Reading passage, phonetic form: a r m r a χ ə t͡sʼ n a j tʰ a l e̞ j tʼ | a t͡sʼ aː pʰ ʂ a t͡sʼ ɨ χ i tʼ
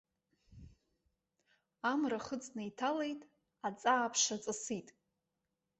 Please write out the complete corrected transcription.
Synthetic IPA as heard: a m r a χ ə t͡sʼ n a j tʰ a l e̞ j tʼ | a t͡sʼ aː pʰ ʂ a t͡sʼ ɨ s i tʼ